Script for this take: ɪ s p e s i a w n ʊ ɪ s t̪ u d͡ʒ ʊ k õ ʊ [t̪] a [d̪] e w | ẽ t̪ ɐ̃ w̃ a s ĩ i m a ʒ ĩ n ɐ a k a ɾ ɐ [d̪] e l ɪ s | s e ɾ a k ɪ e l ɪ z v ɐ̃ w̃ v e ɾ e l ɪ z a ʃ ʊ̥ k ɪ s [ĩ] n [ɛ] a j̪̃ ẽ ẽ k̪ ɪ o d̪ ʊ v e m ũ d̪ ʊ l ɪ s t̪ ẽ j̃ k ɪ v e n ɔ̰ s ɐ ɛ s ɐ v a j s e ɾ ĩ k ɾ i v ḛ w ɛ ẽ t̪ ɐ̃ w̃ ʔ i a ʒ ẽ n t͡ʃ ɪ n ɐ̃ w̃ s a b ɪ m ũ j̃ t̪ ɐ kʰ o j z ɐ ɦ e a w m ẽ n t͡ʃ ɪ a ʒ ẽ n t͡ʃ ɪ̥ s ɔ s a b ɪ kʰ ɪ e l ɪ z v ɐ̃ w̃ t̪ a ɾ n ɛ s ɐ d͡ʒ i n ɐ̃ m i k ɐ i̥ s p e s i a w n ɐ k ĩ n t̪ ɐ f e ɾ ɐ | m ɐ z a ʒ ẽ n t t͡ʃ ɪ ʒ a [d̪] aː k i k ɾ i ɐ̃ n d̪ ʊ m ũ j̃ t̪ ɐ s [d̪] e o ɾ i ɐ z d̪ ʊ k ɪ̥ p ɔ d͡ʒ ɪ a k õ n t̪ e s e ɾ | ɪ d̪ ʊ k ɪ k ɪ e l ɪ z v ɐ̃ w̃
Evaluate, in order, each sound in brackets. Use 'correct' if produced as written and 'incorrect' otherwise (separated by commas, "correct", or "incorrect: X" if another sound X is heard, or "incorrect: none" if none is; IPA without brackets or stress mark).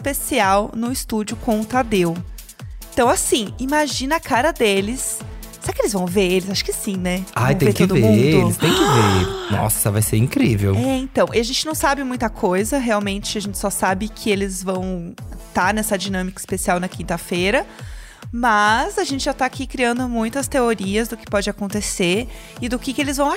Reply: correct, correct, correct, correct, correct, incorrect: t̪, incorrect: t̪